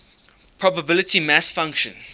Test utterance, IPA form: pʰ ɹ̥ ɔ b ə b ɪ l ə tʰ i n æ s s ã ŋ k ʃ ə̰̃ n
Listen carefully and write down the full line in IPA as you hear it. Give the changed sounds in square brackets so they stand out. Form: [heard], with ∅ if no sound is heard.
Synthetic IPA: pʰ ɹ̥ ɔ b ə b ɪ l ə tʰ i [m] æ s [f] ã ŋ k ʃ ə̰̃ n